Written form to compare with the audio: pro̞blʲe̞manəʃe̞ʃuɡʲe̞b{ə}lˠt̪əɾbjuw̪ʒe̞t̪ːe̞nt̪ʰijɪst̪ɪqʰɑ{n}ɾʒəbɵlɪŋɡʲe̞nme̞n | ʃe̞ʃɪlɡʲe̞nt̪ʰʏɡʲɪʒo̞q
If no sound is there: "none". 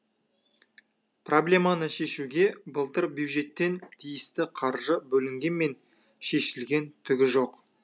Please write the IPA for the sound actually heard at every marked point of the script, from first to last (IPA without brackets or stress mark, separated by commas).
ə, none